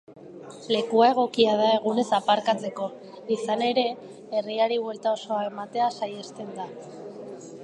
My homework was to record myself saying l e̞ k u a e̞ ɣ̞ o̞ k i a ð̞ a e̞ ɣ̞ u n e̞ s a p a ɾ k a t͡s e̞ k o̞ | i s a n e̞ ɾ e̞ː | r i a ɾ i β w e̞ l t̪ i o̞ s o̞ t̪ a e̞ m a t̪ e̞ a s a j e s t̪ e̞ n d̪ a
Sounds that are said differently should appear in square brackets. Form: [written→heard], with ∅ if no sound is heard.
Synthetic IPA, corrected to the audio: l e̞ k u a e̞ ɣ̞ o̞ k i a ð̞ a e̞ ɣ̞ u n e̞ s a p a ɾ k a t͡s e̞ k o̞ | i s a n e̞ ɾ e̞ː | r i a ɾ i β w e̞ l t̪ [i→a] o̞ s o̞ [t̪→∅] a e̞ m a t̪ e̞ a s a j e s t̪ e̞ n d̪ a

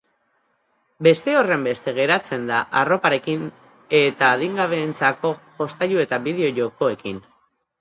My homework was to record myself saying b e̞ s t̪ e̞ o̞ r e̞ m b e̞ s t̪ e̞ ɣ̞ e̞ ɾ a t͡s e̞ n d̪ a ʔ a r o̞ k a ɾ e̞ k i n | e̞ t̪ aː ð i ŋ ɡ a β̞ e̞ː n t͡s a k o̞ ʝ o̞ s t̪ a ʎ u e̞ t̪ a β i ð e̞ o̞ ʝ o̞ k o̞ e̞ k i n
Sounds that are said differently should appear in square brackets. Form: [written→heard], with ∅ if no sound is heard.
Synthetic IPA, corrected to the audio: b e̞ s t̪ e̞ o̞ r e̞ m b e̞ s t̪ e̞ ɣ̞ e̞ ɾ a t͡s e̞ n d̪ a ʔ a r o̞ [k→p] a ɾ e̞ k i n | e̞ t̪ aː ð i ŋ ɡ a β̞ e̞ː n t͡s a k o̞ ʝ o̞ s t̪ a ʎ u e̞ t̪ a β i ð e̞ o̞ ʝ o̞ k o̞ e̞ k i n

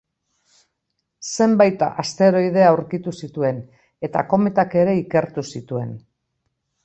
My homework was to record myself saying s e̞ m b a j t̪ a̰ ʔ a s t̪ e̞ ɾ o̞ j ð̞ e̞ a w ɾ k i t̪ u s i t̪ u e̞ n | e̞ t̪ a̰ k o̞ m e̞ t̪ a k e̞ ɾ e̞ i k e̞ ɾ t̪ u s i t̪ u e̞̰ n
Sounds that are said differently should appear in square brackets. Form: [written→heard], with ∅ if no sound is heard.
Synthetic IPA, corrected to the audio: s e̞ m b a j t̪ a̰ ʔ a s t̪ e̞ ɾ o̞ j ð̞ e̞ a w ɾ k i t̪ u s i t̪ u e̞ n | e̞ t̪ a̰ k o̞ m e̞ t̪ a k e̞ ɾ e̞ i k e̞ ɾ t̪ u s i t̪ u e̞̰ n

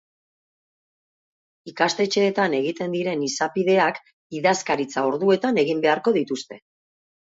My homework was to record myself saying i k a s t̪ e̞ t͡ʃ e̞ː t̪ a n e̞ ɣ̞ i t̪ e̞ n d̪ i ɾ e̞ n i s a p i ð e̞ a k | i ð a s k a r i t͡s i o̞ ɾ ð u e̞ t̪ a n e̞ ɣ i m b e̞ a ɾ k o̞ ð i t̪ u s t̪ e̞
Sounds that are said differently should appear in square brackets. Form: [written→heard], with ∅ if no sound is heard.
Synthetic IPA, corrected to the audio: i k a s t̪ e̞ t͡ʃ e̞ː t̪ a n e̞ ɣ̞ i t̪ e̞ n d̪ i ɾ e̞ n i s a p i ð e̞ a k | i ð a s k a [r→ɾ] i t͡s [i→a] o̞ ɾ ð u e̞ t̪ a n e̞ ɣ i m b e̞ a ɾ k o̞ ð i t̪ u s t̪ e̞

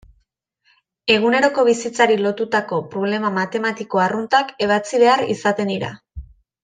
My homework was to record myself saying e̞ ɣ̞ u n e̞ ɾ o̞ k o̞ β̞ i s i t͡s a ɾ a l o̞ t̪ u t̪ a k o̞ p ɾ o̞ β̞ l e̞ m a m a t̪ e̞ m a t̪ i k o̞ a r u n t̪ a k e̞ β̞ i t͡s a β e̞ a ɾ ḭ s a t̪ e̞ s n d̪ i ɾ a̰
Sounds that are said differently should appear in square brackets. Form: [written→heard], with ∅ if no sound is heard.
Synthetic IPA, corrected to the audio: e̞ ɣ̞ u n e̞ ɾ o̞ k o̞ β̞ i s i t͡s a ɾ [a→i] l o̞ t̪ u t̪ a k o̞ p ɾ o̞ β̞ l e̞ m a m a t̪ e̞ m a t̪ i k o̞ a r u n t̪ a k e̞ β̞ [i→a] t͡s [a→i] β e̞ a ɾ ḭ s a t̪ e̞ [s→∅] n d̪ i ɾ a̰

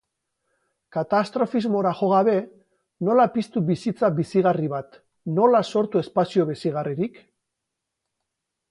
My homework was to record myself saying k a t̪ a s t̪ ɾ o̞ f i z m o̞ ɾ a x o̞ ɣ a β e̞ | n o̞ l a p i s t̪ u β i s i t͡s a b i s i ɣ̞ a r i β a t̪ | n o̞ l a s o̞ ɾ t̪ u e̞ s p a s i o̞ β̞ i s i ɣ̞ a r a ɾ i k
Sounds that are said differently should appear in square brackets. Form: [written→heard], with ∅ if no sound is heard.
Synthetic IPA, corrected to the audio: k a t̪ a s t̪ ɾ o̞ f i z m o̞ ɾ a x o̞ ɣ a β e̞ | n o̞ l a p i s t̪ u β i s i t͡s a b i s i ɣ̞ a r i β a t̪ | n o̞ l a s o̞ ɾ t̪ u e̞ s p a s i o̞ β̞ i s i ɣ̞ a r [a→i] ɾ i k

